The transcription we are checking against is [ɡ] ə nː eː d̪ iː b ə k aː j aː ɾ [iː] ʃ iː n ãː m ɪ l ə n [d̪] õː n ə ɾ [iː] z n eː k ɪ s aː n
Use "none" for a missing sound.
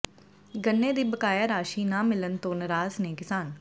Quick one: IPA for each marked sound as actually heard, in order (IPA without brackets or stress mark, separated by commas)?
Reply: ɡ, aː, t̪, aː